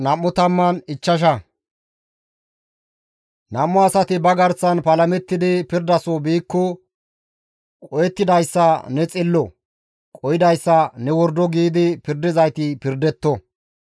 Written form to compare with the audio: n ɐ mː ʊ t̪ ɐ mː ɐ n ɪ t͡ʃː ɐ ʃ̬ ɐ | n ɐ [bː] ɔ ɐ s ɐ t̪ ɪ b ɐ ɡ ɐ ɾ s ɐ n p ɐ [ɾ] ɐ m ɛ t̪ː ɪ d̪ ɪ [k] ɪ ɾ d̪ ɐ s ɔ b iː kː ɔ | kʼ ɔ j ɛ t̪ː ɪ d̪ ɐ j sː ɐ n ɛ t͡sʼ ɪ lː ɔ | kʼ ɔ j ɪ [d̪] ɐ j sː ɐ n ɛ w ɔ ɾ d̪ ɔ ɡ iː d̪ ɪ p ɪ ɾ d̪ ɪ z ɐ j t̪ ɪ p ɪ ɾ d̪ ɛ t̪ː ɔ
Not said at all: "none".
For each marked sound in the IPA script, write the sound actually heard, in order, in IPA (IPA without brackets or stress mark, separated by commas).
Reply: mː, l, p, d̪